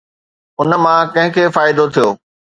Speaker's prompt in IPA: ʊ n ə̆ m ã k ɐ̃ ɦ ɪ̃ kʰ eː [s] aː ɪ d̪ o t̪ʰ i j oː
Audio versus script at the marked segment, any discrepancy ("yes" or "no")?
yes